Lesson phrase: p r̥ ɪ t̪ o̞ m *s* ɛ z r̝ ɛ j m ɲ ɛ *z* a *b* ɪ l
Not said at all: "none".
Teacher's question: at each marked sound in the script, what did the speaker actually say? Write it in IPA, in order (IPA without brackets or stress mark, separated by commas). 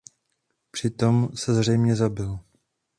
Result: s, z, b